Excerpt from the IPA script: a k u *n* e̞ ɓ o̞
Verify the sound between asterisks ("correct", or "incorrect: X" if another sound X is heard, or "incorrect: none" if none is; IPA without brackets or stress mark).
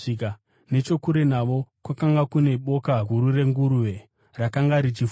correct